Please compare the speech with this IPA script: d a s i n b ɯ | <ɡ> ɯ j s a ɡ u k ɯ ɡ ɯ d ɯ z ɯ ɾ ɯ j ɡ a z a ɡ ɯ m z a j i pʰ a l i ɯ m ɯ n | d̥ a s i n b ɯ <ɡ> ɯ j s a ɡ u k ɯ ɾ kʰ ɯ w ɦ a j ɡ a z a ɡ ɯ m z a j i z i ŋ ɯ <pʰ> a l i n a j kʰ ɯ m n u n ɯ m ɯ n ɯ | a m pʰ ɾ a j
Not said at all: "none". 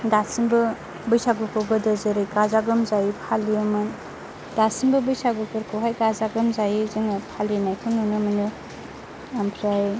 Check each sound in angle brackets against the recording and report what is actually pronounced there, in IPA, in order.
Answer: b, b, pʰ

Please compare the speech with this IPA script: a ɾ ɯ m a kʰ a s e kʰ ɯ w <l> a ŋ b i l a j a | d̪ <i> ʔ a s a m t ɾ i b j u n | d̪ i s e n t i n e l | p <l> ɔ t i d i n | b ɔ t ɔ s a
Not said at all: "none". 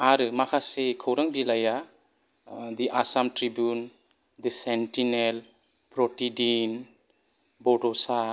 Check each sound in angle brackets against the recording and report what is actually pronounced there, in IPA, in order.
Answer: ɾ, i, ɾ

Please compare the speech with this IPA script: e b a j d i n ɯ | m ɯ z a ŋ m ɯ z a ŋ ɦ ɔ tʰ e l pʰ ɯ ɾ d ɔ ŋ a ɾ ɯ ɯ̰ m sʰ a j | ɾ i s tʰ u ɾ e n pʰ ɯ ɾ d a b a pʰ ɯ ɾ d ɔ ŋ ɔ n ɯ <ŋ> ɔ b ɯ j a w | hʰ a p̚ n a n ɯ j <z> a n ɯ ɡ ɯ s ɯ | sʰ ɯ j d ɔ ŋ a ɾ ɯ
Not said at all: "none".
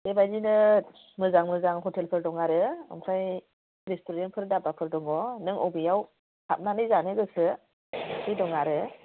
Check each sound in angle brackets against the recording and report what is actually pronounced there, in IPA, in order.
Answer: ŋ, z

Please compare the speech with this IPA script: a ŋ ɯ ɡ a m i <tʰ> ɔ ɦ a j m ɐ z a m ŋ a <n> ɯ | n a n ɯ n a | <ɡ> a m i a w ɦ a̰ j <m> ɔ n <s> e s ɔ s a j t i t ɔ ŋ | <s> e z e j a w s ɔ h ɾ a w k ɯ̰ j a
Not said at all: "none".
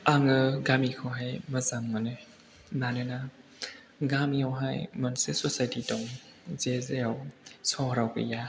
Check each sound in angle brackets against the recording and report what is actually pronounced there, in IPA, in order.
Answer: kʰ, n, ɡ, m, s, z

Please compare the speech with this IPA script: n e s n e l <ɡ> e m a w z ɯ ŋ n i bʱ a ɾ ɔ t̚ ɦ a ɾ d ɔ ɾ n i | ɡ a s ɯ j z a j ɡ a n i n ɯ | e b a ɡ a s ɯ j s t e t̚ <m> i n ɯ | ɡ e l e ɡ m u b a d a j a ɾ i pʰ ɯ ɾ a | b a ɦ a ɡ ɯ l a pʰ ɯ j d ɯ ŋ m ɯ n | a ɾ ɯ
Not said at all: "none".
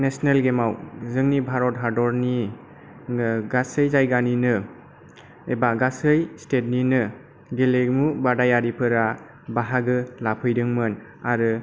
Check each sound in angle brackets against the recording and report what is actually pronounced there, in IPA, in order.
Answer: ɡ, n

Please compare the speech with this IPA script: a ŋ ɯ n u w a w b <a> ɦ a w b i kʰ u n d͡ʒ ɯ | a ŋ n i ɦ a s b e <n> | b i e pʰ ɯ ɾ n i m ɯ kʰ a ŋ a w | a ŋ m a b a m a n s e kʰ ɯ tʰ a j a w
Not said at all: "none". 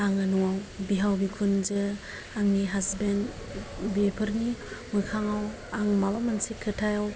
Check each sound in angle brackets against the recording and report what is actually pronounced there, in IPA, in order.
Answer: i, n

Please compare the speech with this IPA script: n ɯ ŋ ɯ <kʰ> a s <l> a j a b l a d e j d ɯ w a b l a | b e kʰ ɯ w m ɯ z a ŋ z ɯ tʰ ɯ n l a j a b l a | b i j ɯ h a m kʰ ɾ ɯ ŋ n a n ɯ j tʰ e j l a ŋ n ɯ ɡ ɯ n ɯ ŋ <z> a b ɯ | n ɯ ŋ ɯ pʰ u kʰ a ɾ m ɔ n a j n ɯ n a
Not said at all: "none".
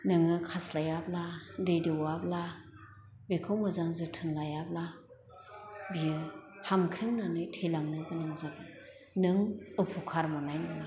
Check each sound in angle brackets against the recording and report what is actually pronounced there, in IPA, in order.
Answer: kʰ, l, z

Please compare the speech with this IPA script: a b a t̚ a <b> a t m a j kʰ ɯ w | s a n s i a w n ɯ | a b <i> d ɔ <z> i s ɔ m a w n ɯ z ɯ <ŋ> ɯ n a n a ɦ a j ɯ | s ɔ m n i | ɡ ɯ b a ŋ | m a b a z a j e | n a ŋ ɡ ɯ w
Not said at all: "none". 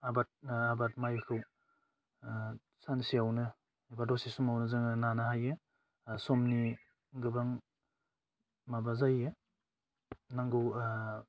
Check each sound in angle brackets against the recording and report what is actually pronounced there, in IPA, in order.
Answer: b, a, s, ŋ

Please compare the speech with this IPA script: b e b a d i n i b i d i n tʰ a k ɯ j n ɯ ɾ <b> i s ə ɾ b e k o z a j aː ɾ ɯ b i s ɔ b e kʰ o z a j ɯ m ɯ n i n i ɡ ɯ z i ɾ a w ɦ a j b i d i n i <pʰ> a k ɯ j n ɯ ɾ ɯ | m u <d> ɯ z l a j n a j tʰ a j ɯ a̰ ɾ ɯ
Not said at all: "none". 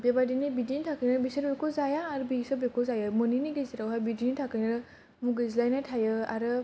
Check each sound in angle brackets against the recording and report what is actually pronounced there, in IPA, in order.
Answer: b, tʰ, ɡ

